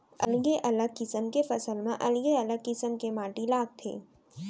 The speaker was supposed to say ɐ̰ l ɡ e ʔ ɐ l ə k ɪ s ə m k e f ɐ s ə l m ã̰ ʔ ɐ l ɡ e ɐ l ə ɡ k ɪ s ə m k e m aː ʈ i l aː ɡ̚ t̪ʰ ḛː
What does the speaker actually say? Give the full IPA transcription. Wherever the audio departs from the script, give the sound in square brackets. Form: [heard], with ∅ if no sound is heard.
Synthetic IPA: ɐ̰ l ɡ e ʔ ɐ l ə k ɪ s ə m k e f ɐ s ə l m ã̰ ʔ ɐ l ɡ e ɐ l ə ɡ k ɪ s ə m k e m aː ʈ i l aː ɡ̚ t̪ʰ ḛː